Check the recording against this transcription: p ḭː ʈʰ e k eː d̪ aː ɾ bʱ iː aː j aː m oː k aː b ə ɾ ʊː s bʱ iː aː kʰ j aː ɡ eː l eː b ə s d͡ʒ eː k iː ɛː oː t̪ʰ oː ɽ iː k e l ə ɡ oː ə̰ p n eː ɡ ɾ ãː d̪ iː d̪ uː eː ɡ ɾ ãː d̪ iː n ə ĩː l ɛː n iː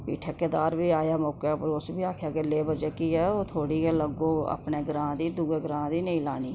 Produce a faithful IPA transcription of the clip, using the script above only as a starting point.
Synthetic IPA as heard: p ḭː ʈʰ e k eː d̪ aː ɾ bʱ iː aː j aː m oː k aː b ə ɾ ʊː s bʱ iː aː kʰ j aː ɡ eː l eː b ə d͡ʒ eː k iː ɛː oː t̪ʰ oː ɽ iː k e l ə ɡ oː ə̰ p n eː ɡ ɾ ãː d̪ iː d̪ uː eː ɡ ɾ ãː d̪ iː n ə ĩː l aː n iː